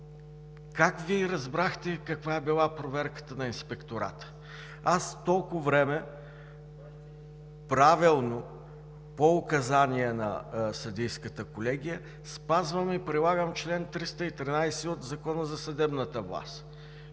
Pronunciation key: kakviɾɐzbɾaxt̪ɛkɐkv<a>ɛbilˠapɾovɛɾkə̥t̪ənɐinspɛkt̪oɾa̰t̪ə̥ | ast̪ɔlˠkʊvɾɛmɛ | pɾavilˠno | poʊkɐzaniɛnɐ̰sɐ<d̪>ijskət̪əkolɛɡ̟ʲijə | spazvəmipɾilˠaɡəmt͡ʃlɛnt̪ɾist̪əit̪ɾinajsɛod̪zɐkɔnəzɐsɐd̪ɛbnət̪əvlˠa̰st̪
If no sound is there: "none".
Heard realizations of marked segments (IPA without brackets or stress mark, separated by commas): a, d̪